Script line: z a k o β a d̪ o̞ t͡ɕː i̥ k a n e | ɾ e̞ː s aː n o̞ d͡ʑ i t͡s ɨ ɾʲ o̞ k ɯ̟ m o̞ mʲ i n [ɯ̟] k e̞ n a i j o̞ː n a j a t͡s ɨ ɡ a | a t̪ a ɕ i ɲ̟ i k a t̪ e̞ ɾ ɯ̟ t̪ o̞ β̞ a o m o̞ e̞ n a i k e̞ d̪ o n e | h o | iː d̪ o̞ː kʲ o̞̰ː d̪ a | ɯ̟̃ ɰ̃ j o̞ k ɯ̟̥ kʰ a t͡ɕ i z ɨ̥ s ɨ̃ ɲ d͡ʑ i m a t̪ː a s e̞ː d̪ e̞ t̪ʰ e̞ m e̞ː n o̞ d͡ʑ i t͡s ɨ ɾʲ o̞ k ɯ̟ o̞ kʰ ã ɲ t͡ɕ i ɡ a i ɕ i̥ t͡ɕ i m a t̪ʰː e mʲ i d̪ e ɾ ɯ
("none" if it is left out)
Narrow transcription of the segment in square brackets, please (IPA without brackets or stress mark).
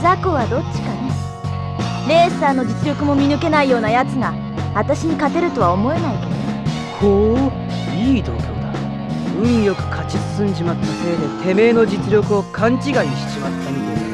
ɯ̟